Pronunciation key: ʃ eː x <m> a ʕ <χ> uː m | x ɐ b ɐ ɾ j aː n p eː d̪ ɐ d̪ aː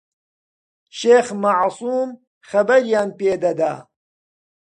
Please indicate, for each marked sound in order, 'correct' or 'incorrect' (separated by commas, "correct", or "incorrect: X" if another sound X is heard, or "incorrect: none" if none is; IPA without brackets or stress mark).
correct, incorrect: s